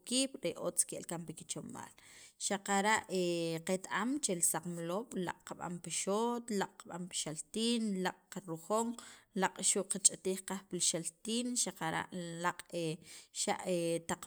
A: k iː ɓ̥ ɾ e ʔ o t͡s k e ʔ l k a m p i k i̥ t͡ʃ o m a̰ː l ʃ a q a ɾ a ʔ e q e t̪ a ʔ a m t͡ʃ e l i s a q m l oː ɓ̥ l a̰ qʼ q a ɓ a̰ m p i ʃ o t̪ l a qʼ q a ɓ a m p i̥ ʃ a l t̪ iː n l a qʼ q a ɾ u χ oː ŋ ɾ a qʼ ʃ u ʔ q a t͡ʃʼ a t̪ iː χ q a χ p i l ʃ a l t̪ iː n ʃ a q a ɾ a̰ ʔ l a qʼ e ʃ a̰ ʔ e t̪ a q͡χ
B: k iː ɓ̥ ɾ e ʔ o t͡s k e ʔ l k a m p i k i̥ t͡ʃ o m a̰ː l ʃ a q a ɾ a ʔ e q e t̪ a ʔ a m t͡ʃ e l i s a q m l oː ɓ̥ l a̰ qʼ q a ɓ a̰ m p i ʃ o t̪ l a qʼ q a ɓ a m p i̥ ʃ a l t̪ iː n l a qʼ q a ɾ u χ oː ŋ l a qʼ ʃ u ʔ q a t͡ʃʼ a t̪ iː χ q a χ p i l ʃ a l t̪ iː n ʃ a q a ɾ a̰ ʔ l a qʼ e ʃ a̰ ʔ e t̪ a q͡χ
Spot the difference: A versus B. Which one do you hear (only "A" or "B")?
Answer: B